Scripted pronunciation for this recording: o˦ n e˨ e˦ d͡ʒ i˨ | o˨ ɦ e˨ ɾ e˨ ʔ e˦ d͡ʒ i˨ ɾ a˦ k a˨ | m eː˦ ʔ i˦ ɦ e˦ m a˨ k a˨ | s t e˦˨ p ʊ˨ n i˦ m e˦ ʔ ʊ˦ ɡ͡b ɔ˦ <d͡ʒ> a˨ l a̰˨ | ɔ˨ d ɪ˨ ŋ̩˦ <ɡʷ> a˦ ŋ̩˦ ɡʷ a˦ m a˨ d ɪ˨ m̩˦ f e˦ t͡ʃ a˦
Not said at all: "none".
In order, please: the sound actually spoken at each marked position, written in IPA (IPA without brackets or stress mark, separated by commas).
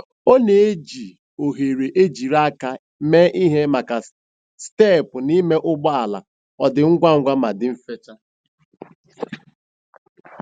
none, ɡʷ